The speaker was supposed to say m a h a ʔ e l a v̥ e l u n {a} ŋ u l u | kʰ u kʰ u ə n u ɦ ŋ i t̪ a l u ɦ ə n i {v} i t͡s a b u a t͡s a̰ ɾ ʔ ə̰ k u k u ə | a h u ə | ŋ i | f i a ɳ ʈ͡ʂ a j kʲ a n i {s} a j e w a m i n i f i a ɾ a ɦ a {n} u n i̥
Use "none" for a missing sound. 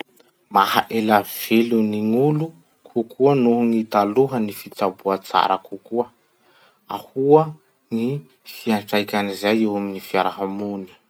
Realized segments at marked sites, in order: i, f, z, m

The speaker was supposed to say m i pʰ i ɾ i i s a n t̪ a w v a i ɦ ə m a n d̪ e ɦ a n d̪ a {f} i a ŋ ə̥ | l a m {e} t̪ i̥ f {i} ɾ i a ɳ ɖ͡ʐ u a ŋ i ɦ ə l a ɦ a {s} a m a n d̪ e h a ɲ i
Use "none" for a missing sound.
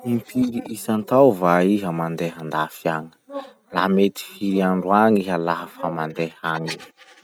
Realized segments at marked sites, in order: f, e, i, f

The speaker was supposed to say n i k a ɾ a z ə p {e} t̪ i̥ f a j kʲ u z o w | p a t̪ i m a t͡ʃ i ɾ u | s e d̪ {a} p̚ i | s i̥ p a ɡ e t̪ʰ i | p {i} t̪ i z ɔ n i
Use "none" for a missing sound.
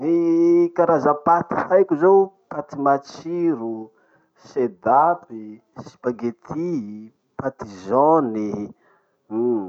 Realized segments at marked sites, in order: a, a, a

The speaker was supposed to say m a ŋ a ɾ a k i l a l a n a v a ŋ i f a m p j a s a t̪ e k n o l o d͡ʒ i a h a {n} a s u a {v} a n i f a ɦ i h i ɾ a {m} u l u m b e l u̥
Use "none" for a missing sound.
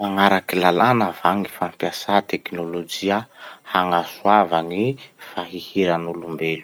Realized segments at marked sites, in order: ŋ, v, n

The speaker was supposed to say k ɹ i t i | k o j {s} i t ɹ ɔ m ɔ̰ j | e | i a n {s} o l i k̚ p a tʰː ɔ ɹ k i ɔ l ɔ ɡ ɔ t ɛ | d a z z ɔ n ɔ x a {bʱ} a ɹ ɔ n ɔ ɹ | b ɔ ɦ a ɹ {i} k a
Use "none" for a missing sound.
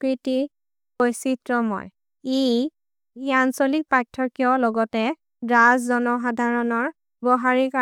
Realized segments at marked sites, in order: s, s, dʱ, i

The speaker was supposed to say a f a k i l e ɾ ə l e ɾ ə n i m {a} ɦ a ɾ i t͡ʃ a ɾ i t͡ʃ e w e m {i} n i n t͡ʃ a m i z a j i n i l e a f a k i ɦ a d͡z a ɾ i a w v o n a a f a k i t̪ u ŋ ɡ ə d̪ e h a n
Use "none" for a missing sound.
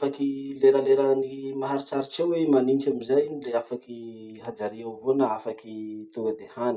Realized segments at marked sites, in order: a, a

